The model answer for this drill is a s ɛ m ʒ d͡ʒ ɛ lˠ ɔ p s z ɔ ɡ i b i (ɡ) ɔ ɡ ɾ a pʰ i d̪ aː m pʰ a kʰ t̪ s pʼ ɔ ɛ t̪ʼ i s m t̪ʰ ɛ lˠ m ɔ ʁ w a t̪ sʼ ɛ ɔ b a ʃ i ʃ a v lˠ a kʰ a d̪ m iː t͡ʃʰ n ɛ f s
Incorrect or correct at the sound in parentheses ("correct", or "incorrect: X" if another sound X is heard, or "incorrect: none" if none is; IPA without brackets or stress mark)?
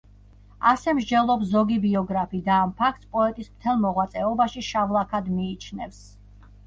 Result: incorrect: none